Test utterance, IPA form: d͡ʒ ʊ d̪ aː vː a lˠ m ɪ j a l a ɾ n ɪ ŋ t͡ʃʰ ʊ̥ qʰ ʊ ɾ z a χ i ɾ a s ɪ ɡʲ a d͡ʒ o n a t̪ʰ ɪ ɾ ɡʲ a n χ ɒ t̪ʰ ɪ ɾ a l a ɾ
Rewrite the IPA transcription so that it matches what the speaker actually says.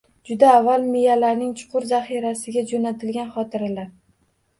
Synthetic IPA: d͡ʒ ʊ d̪ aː vː a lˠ m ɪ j a l a ɾ n ɪ ŋ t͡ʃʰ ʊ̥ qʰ ʊ ɾ z a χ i ɾ a s ɪ ɡʲ a d͡ʒ o n a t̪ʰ ɪ l ɡʲ a n χ ɒ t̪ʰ ɪ ɾ a l a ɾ